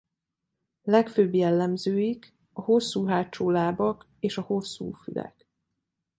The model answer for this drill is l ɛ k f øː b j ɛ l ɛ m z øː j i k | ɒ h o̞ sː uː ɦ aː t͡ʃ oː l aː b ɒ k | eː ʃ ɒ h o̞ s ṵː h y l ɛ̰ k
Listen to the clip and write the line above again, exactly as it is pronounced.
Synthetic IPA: l ɛ k f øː b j ɛ lː ɛ m z øː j i k | ɒ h o̞ sː uː ɦ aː t͡ʃ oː l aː b ɒ k | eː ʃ ɒ h o̞ sː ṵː f y l ɛ̰ k